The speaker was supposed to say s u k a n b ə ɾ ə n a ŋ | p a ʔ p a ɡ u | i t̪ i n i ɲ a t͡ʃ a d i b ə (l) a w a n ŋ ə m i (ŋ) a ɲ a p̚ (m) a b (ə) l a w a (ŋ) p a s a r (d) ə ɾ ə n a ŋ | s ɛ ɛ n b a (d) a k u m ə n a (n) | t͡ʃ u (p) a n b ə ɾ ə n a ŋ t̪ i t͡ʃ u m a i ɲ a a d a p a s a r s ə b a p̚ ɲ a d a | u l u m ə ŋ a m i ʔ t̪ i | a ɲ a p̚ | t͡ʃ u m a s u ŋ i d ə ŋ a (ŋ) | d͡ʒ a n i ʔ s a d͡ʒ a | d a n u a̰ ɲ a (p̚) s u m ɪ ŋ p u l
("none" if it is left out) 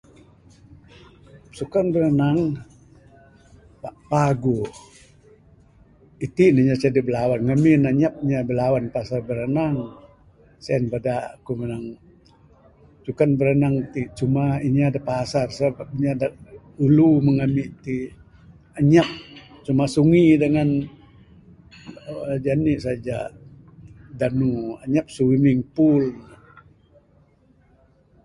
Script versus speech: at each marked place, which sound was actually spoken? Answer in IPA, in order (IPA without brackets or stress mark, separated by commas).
l, n, ɲ, ə, n, b, d, ŋ, k, n, p̚